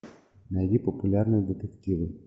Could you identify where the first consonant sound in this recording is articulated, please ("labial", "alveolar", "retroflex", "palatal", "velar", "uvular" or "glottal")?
alveolar